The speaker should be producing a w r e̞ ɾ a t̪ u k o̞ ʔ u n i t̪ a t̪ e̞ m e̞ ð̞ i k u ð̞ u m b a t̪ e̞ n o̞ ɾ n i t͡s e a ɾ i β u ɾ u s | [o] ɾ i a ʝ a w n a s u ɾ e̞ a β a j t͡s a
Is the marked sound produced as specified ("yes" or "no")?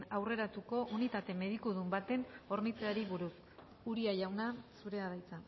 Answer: no